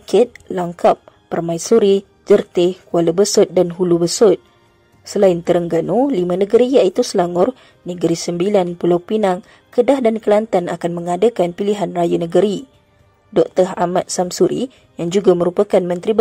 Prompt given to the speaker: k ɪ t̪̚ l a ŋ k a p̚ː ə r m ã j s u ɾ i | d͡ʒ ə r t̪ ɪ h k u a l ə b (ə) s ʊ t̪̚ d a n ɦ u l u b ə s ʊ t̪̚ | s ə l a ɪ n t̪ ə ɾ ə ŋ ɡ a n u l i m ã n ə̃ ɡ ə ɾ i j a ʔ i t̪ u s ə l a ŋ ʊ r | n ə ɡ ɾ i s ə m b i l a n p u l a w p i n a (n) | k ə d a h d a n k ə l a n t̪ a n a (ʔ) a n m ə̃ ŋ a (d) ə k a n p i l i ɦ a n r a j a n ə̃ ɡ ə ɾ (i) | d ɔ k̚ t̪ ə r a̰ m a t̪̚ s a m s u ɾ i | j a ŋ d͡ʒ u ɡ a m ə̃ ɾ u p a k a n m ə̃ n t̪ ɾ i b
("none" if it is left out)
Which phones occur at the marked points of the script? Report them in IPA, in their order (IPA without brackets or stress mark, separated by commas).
ə, ŋ, k, d, i